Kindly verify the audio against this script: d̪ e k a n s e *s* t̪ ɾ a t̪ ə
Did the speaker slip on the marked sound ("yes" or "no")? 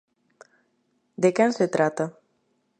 yes